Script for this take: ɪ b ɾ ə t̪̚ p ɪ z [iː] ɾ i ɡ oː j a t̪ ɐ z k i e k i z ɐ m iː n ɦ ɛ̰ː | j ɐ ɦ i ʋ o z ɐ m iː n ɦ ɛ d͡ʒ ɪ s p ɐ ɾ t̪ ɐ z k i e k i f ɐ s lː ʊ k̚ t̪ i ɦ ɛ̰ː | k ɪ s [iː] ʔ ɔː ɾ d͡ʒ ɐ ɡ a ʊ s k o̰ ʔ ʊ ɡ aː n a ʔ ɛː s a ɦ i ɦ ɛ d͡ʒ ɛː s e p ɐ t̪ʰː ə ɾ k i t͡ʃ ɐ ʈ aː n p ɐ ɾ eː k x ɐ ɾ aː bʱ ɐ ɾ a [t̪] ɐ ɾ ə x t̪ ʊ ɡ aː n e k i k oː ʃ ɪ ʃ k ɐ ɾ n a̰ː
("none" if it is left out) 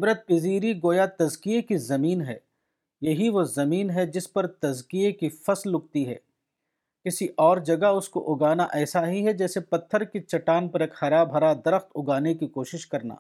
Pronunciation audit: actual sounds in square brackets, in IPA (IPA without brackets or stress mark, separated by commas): iː, i, d̪